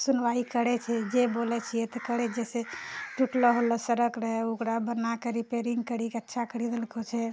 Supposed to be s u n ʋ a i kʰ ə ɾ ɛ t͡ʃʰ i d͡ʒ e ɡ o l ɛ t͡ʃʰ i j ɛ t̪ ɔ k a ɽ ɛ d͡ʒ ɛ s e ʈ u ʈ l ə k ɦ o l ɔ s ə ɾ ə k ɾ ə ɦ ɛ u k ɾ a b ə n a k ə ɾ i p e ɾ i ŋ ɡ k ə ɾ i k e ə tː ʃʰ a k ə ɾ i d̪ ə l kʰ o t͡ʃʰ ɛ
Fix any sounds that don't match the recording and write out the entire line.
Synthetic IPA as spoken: s u n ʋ a i k ə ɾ ɛ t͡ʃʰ ɛ d͡ʒ e b o l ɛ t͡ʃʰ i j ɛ t̪ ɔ k ə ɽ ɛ d͡ʒ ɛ s e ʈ u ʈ l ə ɦ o l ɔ s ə ɾ ə k ɾ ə ɦ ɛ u k ɾ a b ə n a k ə ɾ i p e ɾ i ŋ ɡ k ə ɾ i k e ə tː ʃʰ a k ə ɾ i d̪ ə l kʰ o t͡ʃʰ ɛ